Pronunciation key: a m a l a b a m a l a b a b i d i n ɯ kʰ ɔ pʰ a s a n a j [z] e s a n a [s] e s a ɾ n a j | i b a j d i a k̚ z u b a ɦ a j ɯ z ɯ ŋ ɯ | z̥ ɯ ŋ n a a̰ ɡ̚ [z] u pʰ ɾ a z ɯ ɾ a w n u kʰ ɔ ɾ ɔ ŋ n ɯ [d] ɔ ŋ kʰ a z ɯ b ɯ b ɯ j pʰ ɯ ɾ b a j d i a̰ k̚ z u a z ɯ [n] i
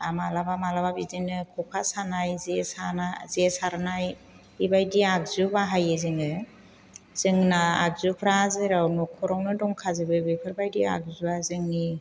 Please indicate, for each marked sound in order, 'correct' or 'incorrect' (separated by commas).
correct, incorrect, correct, correct, incorrect